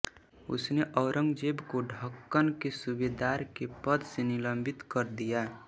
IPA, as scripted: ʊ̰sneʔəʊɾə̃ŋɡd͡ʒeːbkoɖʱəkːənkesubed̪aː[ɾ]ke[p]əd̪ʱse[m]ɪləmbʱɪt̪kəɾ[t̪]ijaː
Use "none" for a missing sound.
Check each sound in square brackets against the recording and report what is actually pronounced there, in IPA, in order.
ɾ, p, n, d̪

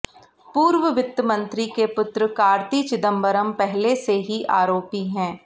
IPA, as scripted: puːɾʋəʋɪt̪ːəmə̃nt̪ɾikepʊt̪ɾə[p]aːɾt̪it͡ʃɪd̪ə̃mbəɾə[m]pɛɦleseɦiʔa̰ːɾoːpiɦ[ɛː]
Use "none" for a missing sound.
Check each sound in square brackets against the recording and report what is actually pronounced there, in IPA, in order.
k, m, ɛ̃ː

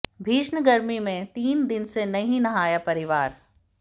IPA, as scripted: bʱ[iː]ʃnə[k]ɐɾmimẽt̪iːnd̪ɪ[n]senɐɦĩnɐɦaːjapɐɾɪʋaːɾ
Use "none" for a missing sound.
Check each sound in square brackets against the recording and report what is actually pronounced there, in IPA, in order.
iː, ɡ, n

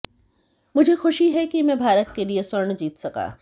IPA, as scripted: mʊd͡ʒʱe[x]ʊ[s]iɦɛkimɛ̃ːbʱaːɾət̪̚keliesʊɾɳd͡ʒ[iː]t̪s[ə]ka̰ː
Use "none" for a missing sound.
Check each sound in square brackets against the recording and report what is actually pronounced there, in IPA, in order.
x, ʃ, iː, ɐ

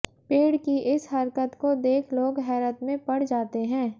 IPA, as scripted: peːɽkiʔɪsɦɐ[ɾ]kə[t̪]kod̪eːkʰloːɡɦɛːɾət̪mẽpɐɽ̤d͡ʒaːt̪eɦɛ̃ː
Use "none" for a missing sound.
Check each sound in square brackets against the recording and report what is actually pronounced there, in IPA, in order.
ɾ, t̪

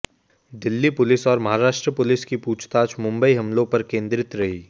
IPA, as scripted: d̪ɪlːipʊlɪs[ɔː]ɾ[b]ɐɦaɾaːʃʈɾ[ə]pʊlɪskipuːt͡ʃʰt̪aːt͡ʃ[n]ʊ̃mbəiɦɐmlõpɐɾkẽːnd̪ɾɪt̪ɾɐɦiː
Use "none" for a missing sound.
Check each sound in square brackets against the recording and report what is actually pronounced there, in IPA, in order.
ɔː, m, ə, m

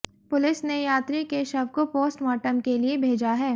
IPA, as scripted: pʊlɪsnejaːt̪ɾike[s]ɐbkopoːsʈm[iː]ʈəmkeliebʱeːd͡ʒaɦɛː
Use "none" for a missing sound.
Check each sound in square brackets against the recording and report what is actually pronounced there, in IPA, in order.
ʃ, aː

